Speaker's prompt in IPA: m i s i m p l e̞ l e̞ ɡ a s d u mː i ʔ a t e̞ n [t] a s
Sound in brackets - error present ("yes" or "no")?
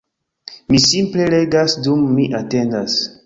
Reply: yes